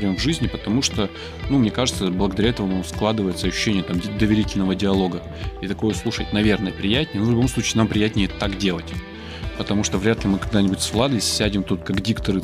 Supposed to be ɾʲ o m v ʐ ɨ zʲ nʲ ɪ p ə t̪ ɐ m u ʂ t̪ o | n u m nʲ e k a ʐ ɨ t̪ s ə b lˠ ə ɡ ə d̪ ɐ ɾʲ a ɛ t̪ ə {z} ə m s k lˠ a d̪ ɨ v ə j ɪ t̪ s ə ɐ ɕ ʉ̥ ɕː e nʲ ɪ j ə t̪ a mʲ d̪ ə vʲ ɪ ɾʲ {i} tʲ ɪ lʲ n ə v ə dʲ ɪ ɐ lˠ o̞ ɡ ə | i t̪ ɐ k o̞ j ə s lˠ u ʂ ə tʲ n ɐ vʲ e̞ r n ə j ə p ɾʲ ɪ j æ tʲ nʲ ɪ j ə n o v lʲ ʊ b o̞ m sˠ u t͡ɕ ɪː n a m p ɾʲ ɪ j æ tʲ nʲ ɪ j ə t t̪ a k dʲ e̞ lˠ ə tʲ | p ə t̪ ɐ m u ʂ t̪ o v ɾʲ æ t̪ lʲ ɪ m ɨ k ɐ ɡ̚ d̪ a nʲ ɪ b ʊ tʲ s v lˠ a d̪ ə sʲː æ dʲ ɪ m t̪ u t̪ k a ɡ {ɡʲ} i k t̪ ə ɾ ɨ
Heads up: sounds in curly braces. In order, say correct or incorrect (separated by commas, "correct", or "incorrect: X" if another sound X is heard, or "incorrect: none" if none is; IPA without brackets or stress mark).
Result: incorrect: v, correct, incorrect: dʲ